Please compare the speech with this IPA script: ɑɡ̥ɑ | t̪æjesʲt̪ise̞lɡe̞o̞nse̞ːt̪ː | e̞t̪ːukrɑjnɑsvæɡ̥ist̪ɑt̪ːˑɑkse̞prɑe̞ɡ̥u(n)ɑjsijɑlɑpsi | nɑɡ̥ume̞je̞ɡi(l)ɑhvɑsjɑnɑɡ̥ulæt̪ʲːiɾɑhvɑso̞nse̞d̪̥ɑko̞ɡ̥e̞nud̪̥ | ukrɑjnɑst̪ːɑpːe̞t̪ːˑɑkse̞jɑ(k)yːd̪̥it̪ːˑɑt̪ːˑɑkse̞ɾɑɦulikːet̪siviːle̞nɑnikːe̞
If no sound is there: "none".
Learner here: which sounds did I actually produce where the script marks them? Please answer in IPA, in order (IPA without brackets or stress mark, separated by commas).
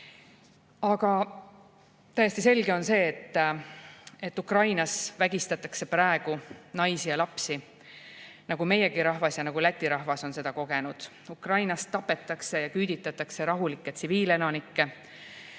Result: n, ɾ, k